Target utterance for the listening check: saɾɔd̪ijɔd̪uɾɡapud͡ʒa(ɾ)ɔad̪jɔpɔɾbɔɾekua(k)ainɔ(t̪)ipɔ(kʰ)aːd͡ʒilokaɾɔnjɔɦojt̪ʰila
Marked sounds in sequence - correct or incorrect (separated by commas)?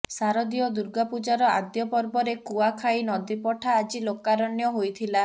correct, incorrect, incorrect, incorrect